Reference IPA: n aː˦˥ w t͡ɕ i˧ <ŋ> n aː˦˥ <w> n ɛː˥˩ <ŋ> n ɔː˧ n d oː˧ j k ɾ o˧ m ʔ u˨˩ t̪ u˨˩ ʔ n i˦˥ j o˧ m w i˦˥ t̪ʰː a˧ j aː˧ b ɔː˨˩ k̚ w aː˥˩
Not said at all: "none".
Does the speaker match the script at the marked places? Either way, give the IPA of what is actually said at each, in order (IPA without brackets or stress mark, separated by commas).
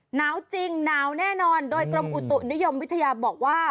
ŋ, w, none